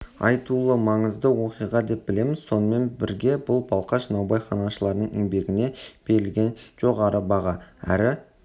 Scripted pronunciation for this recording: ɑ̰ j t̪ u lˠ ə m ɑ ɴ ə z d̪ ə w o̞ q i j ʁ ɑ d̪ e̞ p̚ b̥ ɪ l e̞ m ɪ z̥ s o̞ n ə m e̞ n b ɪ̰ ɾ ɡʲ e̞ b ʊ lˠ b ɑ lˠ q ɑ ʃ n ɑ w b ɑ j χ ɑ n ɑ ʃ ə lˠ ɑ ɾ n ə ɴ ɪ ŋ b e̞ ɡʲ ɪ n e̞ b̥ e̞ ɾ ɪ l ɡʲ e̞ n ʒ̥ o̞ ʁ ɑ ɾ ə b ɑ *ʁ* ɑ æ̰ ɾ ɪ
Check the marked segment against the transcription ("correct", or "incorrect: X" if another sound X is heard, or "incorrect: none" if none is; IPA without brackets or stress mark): correct